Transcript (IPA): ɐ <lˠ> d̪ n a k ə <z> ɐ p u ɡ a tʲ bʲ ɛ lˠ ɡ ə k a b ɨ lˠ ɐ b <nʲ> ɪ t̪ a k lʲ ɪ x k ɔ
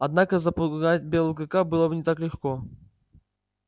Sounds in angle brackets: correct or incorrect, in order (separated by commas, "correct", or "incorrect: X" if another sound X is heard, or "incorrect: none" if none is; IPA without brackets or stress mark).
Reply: incorrect: none, correct, correct